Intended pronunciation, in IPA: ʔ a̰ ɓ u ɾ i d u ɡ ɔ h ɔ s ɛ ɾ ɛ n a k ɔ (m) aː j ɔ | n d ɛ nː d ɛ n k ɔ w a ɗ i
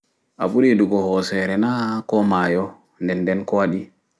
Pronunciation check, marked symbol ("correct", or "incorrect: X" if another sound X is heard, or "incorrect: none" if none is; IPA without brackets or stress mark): correct